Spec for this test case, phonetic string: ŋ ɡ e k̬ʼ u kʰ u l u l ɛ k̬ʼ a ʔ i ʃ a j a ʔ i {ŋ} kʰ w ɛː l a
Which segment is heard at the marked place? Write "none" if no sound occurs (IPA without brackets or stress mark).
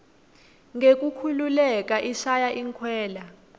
ŋ